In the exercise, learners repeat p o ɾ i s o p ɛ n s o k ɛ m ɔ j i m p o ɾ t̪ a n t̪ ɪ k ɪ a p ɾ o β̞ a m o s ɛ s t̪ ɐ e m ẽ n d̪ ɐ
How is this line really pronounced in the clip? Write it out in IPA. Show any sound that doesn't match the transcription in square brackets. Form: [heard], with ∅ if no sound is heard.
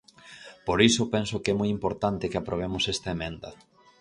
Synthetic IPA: p o ɾ i s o p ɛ n s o k ɛ m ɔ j i m p o ɾ t̪ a n t̪ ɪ k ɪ a p ɾ o β̞ [e] m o s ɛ s t̪ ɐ e m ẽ n d̪ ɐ